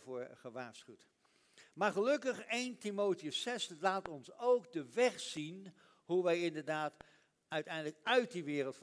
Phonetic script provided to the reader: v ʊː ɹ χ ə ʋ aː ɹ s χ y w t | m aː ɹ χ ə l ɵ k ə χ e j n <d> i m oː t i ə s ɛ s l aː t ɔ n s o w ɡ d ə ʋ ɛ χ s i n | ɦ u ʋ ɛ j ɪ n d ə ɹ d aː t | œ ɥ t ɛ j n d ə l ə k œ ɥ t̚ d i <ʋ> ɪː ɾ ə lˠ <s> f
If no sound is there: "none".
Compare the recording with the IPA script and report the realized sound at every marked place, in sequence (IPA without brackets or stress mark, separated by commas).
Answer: t, ʋ, t